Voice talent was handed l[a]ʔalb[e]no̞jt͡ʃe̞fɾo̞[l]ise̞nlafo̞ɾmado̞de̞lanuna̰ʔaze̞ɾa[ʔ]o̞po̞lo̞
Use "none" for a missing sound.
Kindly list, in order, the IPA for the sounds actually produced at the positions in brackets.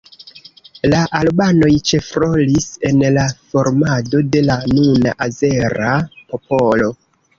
a, a, l, p

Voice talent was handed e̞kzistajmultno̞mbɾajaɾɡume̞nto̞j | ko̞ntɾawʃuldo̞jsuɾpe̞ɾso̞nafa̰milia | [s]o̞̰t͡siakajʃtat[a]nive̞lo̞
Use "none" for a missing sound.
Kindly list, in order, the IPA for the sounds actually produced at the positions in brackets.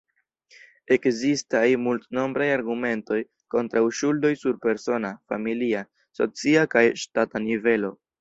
s, a

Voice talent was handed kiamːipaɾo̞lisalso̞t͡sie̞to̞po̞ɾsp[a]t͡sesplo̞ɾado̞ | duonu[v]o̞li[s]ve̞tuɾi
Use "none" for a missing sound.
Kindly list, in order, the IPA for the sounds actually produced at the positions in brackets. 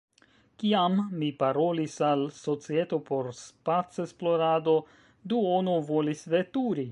a, v, s

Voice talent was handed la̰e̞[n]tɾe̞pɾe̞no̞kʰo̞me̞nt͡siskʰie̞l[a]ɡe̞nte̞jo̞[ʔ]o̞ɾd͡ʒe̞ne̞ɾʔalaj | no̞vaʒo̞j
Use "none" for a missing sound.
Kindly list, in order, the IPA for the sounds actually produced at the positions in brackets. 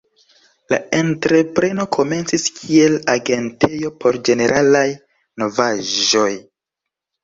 n, a, p

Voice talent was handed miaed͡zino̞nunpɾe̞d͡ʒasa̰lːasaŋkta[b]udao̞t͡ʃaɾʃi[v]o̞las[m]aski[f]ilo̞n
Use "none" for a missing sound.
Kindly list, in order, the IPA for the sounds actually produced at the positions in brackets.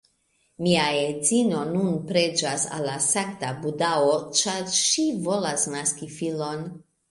b, v, n, f

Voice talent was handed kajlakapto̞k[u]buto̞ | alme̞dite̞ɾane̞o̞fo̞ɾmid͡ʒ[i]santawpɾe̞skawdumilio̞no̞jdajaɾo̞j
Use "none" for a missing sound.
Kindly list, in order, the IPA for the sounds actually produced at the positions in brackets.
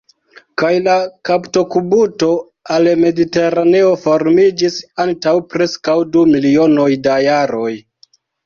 u, i

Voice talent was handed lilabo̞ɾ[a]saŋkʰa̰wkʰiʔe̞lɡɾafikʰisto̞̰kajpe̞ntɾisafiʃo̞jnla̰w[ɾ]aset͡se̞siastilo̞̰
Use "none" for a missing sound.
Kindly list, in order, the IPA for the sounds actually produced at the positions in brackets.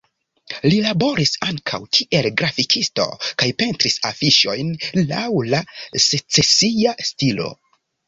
i, l

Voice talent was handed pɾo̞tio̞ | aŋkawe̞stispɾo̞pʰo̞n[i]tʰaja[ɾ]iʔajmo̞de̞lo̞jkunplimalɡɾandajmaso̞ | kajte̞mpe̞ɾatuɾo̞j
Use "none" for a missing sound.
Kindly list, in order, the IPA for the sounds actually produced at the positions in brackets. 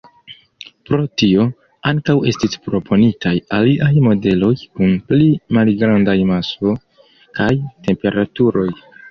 i, l

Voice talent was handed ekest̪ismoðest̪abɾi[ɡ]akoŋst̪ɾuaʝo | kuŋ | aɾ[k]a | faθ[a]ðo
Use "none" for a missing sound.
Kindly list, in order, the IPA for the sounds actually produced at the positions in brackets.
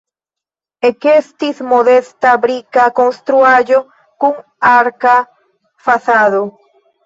k, k, a

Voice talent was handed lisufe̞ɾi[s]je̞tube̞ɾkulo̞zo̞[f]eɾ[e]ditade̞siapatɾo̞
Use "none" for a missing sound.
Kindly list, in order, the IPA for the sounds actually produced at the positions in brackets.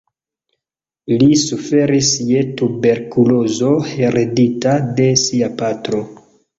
s, h, e

